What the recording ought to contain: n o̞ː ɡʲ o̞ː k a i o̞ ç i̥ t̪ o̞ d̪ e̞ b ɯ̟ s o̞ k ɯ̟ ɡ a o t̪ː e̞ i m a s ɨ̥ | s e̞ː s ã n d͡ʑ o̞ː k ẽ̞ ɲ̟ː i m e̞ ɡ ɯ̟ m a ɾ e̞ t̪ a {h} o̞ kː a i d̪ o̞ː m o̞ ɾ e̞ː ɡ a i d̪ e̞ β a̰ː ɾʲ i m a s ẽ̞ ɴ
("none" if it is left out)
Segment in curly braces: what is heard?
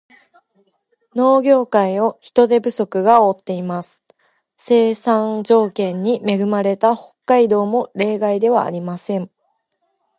h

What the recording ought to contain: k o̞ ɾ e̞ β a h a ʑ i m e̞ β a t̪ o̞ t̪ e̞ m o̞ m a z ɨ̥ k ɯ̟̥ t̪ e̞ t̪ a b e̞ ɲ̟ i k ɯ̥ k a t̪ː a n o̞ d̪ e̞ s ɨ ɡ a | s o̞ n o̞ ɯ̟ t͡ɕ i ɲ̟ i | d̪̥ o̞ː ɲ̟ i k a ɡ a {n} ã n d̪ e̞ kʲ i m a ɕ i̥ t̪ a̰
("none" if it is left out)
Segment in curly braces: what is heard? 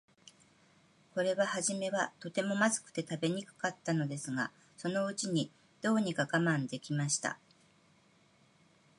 m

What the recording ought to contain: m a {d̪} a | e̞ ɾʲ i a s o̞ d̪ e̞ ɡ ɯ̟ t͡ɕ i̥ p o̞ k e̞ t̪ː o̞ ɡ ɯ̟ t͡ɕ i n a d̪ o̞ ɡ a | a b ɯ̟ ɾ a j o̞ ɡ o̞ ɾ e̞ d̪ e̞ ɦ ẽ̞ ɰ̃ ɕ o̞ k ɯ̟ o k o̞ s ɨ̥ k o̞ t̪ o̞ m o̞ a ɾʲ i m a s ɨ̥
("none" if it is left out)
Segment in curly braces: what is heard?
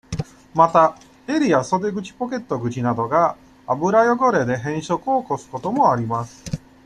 t̪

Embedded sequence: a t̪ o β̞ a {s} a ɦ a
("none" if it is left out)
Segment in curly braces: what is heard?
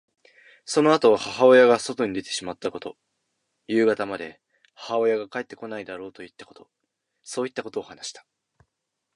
h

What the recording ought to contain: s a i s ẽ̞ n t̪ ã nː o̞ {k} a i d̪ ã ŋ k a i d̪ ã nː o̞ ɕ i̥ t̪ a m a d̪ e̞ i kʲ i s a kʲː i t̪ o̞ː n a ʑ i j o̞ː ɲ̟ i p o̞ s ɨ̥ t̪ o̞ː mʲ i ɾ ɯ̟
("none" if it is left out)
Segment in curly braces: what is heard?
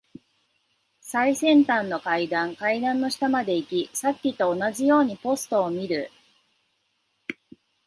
k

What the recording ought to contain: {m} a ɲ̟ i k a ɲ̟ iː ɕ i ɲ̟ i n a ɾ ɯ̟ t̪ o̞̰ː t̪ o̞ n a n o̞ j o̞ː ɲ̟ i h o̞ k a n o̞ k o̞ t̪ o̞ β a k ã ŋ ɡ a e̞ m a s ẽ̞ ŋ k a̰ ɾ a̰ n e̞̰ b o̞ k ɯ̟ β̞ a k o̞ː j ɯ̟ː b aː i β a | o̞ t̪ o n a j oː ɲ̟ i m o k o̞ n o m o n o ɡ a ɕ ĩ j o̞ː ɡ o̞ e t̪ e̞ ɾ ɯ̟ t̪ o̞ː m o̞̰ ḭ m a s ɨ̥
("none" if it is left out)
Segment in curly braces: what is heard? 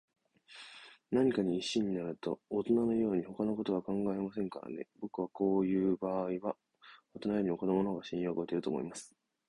n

